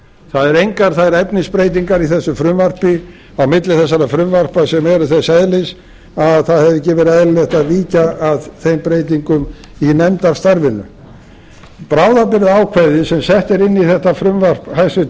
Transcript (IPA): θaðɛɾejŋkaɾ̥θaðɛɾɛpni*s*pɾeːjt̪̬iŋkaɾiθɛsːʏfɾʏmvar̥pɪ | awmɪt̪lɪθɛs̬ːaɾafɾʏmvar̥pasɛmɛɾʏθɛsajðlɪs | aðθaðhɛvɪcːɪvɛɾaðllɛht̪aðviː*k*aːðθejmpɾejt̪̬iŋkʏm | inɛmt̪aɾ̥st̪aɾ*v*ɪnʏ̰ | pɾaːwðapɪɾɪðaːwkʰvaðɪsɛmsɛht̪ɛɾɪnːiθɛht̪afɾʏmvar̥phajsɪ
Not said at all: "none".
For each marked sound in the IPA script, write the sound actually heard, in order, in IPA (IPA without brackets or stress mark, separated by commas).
s, c, v